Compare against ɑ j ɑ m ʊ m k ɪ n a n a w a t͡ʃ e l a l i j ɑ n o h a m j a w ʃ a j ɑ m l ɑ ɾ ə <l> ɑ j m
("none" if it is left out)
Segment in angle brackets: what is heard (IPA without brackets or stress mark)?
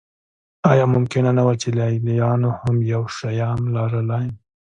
l